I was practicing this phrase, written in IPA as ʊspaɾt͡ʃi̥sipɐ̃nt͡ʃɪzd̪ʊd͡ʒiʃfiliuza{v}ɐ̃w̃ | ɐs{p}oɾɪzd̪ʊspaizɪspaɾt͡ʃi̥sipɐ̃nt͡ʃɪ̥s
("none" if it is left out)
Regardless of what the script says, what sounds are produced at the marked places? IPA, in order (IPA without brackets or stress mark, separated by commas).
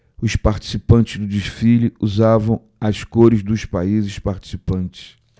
v, k